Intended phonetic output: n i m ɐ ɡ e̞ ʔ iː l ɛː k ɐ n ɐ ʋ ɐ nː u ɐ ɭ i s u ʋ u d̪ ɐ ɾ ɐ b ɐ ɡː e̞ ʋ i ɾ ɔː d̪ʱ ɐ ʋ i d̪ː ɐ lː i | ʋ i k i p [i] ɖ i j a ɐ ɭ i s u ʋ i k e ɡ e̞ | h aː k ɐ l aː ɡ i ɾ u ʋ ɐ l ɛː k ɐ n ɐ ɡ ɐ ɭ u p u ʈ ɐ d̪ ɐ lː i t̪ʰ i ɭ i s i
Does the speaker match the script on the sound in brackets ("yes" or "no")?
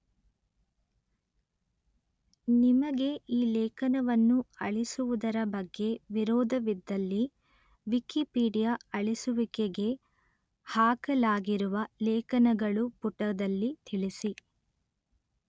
no